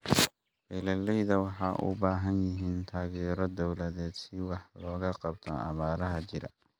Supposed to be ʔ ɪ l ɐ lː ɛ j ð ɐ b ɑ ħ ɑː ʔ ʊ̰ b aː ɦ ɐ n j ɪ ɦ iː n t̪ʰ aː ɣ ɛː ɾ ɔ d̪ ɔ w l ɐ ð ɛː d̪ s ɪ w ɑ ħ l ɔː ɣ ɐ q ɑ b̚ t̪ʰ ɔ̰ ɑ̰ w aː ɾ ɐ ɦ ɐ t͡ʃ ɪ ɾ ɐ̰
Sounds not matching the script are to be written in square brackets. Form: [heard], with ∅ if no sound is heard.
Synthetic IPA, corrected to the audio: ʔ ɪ l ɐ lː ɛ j ð ɐ [w] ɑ ħ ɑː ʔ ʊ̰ b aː ɦ ɐ n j ɪ ɦ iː n t̪ʰ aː ɣ ɛː ɾ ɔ d̪ ɔ w l ɐ ð ɛː d̪ s ɪ w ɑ ħ l ɔː ɣ ɐ q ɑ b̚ t̪ʰ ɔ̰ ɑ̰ [β] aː ɾ ɐ ɦ ɐ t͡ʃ ɪ ɾ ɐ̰